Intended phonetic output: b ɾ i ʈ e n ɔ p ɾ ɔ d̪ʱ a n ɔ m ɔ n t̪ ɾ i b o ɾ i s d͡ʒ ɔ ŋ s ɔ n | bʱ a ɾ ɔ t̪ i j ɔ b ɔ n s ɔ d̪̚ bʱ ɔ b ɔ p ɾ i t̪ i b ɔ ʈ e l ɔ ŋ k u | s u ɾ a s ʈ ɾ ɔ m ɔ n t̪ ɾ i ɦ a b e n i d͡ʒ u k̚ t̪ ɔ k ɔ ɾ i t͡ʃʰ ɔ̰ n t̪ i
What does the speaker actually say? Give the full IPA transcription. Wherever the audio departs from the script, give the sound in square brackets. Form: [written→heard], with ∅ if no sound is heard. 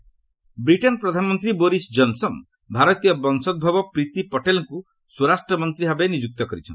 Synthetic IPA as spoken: b ɾ i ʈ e n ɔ p ɾ ɔ d̪ʱ a n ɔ m ɔ n t̪ ɾ i b o ɾ i s d͡ʒ ɔ [ŋ→n] s ɔ n | bʱ a ɾ ɔ t̪ i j ɔ b ɔ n s ɔ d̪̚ bʱ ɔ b ɔ p ɾ i t̪ i [b→p] ɔ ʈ e l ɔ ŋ k u | s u ɾ a s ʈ ɾ ɔ m ɔ n t̪ ɾ i ɦ a b e n i d͡ʒ u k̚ t̪ ɔ k ɔ ɾ i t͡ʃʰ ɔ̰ n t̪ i

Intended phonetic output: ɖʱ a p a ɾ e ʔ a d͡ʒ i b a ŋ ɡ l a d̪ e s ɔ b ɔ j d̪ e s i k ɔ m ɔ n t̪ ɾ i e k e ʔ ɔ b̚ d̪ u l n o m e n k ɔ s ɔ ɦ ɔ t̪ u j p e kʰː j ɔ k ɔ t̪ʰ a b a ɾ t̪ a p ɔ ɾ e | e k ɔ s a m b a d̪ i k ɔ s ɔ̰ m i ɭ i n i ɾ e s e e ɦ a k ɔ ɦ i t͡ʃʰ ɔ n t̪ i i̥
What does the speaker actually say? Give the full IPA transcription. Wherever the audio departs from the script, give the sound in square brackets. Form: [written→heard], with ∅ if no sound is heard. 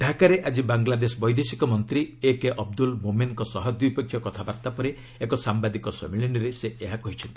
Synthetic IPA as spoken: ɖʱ a [p→k] a ɾ e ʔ a d͡ʒ i b a ŋ ɡ l a d̪ e s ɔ b ɔ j d̪ e s i k ɔ m ɔ n t̪ ɾ i e k e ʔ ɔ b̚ d̪ u l [n→m] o m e n k ɔ s ɔ ɦ ɔ [t̪→d̪] u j p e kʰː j ɔ k ɔ t̪ʰ a b a ɾ t̪ a p ɔ ɾ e | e k ɔ s a m b a d̪ i k ɔ s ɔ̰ m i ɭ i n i ɾ e s e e ɦ a k ɔ ɦ i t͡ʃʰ ɔ n t̪ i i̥

